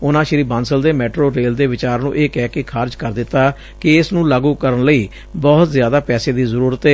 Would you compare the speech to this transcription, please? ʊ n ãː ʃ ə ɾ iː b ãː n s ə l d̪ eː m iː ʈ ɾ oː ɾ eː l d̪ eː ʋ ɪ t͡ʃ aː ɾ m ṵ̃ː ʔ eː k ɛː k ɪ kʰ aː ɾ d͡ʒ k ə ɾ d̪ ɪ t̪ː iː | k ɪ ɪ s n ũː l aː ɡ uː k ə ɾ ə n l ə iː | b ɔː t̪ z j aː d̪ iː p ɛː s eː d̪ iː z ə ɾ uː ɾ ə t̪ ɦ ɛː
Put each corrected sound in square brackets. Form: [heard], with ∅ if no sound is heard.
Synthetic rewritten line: ʊ n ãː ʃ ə ɾ iː b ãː n s ə l d̪ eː m [ɛː] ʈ ɾ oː ɾ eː l d̪ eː ʋ ɪ t͡ʃ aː ɾ [n] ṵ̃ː ʔ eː k ɛː k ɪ kʰ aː ɾ d͡ʒ k ə ɾ d̪ ɪ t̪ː [aː] | k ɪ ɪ s n ũː l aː ɡ uː k ə ɾ ə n l ə iː | b ɔː t̪ z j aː d̪ [aː] p ɛː s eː d̪ iː z ə ɾ uː ɾ ə t̪ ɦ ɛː